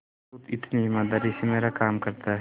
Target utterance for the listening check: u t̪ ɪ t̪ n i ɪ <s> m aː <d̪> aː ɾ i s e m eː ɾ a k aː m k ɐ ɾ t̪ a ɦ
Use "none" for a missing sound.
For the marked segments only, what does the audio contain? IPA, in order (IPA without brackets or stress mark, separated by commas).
none, d̪